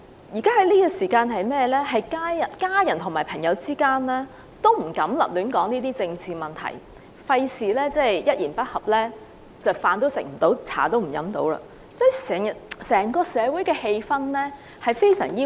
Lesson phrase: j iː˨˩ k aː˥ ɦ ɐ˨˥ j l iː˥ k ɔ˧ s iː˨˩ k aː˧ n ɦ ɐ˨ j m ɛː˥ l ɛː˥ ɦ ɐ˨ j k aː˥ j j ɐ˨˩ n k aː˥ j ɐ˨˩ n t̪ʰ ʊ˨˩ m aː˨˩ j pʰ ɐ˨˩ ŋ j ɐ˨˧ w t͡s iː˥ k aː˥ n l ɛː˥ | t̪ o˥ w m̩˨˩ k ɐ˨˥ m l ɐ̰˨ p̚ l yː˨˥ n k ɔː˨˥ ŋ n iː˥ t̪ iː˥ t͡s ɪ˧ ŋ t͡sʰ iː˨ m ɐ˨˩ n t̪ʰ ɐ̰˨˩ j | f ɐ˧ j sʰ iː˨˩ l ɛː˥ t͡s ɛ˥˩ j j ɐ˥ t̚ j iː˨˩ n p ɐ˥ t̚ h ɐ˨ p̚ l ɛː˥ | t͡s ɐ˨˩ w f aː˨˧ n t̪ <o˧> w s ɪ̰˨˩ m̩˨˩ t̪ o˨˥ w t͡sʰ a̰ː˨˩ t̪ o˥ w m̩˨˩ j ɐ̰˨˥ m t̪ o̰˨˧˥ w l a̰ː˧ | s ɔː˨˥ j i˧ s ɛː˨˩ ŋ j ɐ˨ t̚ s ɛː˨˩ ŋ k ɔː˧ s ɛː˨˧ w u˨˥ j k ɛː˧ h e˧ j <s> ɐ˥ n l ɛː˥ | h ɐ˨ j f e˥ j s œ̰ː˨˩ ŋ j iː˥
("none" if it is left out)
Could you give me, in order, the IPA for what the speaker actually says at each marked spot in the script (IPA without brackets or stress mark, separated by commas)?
o˥, f